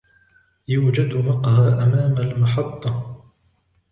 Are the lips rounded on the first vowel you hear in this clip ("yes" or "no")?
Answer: yes